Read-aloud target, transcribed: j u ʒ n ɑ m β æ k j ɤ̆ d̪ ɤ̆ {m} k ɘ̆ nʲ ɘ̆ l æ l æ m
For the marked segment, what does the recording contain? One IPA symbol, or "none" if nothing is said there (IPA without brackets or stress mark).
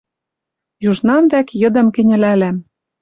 m